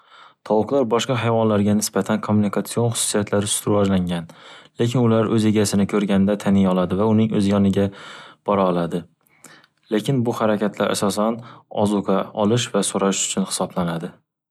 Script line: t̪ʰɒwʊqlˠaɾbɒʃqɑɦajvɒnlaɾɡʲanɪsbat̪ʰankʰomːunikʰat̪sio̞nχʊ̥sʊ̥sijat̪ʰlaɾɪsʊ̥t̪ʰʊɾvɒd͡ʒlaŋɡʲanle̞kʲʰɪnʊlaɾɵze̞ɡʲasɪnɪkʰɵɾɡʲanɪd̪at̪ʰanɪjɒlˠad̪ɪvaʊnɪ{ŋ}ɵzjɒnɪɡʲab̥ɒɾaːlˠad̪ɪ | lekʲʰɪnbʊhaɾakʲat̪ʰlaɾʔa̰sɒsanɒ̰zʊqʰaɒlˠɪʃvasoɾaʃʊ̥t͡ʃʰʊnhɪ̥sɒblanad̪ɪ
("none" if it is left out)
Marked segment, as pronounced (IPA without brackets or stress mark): ŋ